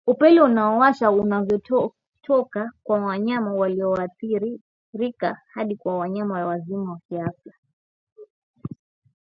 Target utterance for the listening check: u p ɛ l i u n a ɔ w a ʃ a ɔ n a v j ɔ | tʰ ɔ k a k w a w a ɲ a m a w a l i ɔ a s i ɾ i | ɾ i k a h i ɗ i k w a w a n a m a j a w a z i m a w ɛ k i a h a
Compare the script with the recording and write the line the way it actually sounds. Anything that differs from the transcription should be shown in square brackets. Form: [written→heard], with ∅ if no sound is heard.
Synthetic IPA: u p ɛ l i u n a ɔ w a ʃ a [ɔ→u] n a v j ɔ | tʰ ɔ k a k w a w a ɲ a m a w a l i ɔ a [s→θ] i ɾ i | ɾ i k a h [i→a] ɗ i k w a w a [n→ɲ] a m a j a w a z i m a w [ɛ→a] k i a [h→f] a